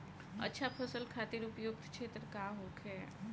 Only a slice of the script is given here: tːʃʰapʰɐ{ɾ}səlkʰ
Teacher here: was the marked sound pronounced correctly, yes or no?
no